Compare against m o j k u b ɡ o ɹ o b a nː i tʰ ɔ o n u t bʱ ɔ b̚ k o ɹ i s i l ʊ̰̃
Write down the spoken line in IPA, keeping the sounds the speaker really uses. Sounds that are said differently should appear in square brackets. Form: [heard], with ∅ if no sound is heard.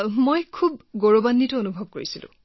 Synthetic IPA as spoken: m o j [kʰ] u b ɡ o ɹ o b a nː i [t] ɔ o n u [∅] bʱ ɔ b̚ k o ɹ i s i l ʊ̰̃